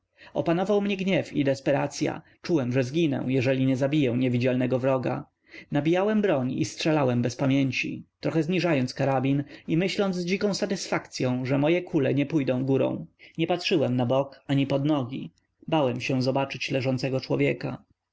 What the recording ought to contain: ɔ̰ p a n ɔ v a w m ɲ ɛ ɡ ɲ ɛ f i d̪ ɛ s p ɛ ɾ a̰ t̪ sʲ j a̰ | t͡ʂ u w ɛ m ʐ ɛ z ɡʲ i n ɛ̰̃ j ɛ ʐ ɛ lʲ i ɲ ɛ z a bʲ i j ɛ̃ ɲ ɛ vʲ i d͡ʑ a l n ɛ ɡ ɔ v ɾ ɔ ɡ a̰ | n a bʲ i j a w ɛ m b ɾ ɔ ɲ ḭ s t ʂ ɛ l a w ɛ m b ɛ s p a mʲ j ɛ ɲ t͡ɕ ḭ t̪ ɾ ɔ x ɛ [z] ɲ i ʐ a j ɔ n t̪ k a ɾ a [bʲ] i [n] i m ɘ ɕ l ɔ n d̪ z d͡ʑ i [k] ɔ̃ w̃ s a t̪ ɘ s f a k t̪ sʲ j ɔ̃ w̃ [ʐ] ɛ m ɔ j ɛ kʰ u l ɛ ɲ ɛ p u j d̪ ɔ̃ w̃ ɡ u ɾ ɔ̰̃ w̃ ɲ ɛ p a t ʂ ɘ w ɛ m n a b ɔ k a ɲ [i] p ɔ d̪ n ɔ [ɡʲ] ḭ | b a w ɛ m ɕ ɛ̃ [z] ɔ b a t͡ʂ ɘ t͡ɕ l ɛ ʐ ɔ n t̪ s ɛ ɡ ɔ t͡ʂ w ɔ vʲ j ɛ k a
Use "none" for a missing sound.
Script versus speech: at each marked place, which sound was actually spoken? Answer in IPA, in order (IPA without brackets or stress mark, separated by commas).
z, bʲ, n, k, ʐ, i, ɡʲ, z